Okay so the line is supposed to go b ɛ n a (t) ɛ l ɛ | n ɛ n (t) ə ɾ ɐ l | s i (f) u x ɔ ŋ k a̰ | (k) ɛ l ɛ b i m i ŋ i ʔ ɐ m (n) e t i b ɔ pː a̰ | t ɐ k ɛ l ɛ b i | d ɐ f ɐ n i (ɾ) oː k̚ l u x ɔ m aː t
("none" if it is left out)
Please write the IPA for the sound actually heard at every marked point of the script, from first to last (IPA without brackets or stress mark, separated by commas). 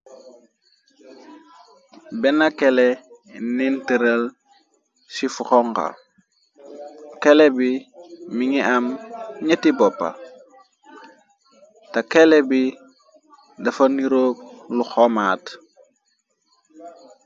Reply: k, t, f, k, ɲ, ɾ